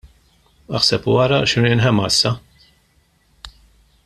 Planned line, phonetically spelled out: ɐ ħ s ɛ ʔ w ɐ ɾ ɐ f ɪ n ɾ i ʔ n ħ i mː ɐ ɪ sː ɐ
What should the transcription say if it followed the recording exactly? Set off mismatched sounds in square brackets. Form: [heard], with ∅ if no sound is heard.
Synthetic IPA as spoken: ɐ ħ s ɛ [p] w ɐ ɾ ɐ [ʃ] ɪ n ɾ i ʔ n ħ [ɛ] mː ɐ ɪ sː ɐ

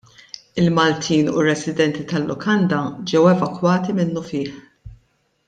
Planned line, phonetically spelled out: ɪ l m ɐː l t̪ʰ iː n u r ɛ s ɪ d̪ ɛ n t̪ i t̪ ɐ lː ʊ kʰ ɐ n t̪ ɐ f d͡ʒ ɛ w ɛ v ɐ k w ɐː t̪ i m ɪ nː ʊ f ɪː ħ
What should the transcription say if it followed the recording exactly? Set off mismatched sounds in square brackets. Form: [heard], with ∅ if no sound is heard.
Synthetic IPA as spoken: ɪ l m [ɐ] l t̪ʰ iː n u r ɛ s ɪ d̪ ɛ n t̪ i t̪ ɐ lː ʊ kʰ ɐ n [d̪] ɐ [∅] d͡ʒ ɛ w ɛ v ɐ k w ɐː t̪ i m ɪ nː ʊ f ɪː ħ

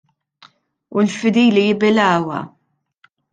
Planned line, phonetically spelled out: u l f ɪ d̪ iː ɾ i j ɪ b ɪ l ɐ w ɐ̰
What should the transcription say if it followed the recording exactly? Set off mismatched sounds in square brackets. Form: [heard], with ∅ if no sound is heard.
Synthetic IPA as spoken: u l f ɪ d̪ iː [l] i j ɪ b ɪ l [ɐː] w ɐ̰

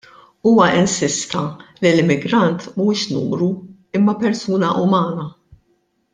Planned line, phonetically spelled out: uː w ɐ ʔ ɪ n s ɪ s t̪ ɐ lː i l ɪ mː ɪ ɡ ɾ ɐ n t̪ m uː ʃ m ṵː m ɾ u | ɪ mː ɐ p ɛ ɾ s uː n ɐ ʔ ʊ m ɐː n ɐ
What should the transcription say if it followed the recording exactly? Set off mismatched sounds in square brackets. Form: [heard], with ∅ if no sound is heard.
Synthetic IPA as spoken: uː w ɐ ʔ ɪ n s ɪ s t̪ ɐ [l] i l ɪ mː ɪ ɡ ɾ ɐ n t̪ m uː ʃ [n] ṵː m ɾ u | ɪ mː ɐ p ɛ ɾ s uː n ɐ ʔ ʊ m ɐː n ɐ

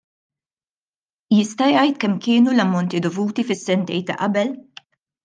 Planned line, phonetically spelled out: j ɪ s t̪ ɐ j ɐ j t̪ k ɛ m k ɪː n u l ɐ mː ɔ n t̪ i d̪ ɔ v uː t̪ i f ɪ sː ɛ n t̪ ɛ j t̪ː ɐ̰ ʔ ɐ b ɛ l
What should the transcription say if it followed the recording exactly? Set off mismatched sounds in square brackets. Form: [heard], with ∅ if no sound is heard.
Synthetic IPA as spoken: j ɪ s t̪ ɐ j ɐ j t̪ k ɛ m k ɪː n u l ɐ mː ɔ n t̪ i d̪ ɔ v uː t̪ i f ɪ sː ɛ n t̪ ɛ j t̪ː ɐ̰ ʔ ɐ b ɛ l

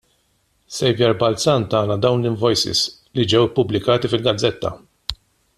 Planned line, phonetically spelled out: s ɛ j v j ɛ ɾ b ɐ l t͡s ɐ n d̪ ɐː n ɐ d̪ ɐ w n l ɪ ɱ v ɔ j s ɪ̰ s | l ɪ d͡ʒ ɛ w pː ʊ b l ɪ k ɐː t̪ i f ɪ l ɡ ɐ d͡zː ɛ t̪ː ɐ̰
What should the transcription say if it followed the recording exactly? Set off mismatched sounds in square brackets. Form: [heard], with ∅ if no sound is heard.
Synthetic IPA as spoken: s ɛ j v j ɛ ɾ b ɐ l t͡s ɐ n [t̪] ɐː n ɐ d̪ ɐ w n l ɪ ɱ v ɔ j s ɪ̰ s | l [i] d͡ʒ ɛ w pː ʊ b l ɪ k ɐː t̪ i f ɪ l ɡ ɐ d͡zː ɛ t̪ː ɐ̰

